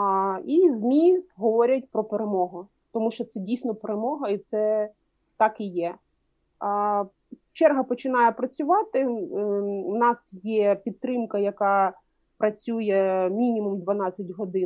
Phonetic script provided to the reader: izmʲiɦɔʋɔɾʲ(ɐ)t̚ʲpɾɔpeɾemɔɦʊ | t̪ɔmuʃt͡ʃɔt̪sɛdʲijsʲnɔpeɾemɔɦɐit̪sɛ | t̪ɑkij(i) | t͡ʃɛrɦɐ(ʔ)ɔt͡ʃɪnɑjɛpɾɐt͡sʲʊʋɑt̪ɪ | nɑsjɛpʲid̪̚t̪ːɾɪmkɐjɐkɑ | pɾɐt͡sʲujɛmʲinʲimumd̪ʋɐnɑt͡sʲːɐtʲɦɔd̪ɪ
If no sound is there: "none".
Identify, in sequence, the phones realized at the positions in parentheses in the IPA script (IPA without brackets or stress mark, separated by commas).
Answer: ɐ, ɛ, p